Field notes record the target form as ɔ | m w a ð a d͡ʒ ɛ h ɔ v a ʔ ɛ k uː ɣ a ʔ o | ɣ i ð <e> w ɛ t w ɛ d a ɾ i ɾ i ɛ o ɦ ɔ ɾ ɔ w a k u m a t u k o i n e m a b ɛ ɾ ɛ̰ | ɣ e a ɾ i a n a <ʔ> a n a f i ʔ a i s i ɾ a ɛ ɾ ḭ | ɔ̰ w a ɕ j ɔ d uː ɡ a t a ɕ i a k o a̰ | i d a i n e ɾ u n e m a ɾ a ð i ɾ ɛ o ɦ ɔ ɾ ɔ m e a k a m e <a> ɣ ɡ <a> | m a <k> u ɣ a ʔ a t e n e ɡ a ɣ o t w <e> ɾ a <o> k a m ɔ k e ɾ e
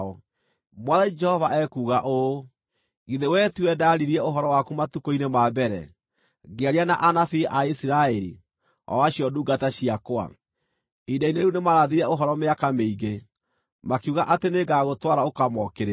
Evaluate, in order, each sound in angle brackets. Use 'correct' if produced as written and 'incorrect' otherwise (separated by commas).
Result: correct, correct, incorrect, incorrect, correct, incorrect, correct